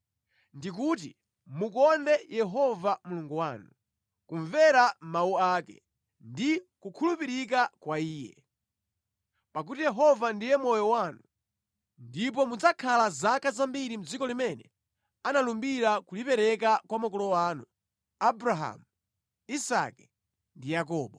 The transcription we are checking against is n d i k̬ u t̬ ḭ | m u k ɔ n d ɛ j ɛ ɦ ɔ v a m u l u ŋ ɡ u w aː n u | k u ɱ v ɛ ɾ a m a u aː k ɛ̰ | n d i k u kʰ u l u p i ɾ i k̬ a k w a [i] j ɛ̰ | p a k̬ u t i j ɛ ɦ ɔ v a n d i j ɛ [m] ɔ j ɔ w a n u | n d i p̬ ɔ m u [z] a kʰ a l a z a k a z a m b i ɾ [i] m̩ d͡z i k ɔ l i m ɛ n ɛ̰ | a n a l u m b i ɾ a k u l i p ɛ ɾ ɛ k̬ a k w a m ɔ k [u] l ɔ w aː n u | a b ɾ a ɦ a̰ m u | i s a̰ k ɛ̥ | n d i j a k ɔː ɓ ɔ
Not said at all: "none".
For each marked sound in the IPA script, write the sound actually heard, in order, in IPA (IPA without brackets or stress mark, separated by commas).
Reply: iː, m, d͡z, i, ɔ